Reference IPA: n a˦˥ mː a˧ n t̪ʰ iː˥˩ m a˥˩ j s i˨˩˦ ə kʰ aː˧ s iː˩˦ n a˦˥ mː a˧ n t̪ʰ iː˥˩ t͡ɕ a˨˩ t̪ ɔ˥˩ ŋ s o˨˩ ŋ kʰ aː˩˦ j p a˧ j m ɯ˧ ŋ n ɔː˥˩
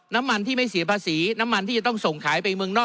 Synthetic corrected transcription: n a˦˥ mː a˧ n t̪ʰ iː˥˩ m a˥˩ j s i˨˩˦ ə pʰ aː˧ s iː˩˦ n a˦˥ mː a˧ n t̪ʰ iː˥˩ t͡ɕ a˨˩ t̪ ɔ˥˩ ŋ s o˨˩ ŋ kʰ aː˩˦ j p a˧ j m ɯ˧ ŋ n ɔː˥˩

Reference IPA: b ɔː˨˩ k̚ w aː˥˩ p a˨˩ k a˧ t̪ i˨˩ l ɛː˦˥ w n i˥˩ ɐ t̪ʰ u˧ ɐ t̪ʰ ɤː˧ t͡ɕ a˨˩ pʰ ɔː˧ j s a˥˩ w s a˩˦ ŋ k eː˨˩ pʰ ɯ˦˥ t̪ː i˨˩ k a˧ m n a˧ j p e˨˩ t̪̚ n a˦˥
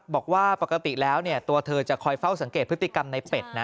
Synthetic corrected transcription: b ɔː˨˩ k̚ w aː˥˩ p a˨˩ k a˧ t̪ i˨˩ l ɛː˦˥ w n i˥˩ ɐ t̪ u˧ ɐ t̪ʰ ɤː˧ t͡ɕ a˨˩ kʰ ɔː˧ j f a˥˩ w s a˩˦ ŋ k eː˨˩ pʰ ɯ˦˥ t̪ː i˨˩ k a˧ m n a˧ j p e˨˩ t̪̚ n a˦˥

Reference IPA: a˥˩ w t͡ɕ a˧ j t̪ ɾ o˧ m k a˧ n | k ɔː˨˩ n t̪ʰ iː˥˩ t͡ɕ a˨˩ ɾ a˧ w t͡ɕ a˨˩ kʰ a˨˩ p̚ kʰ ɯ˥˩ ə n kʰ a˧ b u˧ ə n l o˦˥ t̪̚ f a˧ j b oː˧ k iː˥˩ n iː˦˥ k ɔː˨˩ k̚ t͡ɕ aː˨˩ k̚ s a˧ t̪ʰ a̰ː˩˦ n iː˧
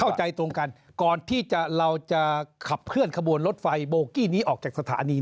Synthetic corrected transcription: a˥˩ w t͡ɕ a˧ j t̪ ɾ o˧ ŋ k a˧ n | k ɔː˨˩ n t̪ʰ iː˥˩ t͡ɕ a˨˩ ɾ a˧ w t͡ɕ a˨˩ kʰ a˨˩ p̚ kʰ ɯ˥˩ ə n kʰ a˧ b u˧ ə n l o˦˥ t̪̚ f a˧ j b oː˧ k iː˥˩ n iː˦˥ ʔ ɔː˨˩ k̚ t͡ɕ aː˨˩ k̚ s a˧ t̪ʰ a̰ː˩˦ n iː˧

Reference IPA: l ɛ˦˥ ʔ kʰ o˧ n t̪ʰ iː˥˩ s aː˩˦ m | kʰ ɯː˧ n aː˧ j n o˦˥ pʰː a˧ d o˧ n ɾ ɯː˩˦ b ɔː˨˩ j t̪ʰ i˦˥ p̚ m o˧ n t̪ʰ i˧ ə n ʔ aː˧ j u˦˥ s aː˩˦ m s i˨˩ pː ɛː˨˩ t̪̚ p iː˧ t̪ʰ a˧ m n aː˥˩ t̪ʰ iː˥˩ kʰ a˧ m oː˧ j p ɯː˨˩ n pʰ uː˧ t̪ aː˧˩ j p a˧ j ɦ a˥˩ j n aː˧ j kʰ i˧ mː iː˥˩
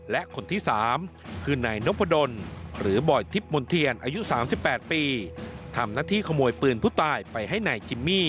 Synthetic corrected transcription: l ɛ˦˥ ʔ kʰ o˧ n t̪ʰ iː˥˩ s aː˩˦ m | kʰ ɯː˧ n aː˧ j n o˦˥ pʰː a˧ d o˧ n ɾ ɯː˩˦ b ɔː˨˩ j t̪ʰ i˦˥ p̚ m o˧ n t̪ʰ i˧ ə n ʔ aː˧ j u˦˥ s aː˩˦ m s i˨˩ pː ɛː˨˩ t̪̚ p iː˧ t̪ʰ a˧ m n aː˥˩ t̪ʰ iː˥˩ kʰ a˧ m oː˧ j p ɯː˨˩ n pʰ uː˥˩ t̪ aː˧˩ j p a˧ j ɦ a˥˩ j n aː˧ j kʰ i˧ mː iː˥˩

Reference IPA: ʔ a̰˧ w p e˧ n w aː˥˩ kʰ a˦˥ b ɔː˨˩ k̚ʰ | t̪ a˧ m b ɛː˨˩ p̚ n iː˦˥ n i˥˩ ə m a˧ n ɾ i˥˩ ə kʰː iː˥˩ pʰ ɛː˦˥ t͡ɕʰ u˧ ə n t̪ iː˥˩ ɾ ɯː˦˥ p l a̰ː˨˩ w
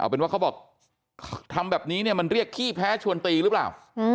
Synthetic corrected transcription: ʔ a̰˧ w p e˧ n w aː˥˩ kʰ a˦˥ b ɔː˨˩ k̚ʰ | t̪ʰ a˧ m b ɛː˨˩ p̚ n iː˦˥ n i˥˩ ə m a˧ n ɾ i˥˩ ə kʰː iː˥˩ pʰ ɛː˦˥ t͡ɕʰ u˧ ə n t̪ iː˧ ɾ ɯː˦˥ p l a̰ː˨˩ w

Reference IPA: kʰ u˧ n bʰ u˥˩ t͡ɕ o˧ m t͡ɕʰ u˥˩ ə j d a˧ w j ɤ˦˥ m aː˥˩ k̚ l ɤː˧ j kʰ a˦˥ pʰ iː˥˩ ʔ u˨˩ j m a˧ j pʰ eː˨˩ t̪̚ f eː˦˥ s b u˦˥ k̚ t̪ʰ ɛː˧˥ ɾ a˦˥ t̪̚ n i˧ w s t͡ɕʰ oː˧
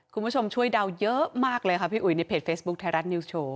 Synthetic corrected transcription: kʰ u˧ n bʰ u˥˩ t͡ɕʰ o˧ m t͡ɕʰ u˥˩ ə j d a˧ w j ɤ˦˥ m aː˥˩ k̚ l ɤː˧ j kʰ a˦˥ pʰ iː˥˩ ʔ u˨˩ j n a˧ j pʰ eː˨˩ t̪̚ f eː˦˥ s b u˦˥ k̚ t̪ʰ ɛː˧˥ ɾ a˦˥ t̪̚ n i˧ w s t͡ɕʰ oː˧

